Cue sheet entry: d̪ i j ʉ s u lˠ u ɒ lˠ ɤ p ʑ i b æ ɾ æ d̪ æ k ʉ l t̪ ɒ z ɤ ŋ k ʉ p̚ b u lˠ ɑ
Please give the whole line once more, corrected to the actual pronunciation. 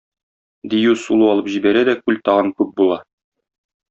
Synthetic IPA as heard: d̪ i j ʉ s u lˠ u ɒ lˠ ɤ p ʑ i b æ ɾ æ d̪ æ k ʉ l t̪ ɒ ʁ ɤ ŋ k ʉ p̚ b u lˠ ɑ